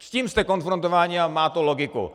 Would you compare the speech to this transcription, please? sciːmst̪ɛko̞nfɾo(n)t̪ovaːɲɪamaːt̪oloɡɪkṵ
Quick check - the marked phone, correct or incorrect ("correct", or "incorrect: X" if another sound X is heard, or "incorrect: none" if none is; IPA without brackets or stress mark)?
correct